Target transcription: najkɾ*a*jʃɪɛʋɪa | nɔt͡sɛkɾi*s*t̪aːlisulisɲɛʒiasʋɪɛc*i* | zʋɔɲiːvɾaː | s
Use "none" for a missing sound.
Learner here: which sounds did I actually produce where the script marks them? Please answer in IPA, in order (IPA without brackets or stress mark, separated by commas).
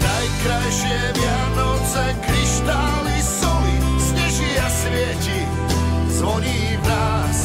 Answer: a, ʃ, i